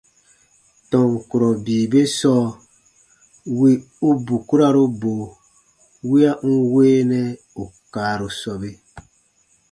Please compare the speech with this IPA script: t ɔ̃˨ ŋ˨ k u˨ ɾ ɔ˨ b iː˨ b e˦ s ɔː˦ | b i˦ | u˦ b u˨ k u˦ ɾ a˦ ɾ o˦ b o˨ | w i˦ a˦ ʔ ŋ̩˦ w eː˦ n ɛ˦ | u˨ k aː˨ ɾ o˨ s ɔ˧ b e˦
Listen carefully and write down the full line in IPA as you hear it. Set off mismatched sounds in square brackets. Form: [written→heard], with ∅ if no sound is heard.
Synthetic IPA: t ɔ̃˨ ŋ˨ k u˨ ɾ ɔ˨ b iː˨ b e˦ s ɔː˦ | [b→w] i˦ | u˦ b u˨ k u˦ ɾ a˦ ɾ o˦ b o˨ | w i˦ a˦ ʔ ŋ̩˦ w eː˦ n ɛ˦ | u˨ k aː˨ ɾ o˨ s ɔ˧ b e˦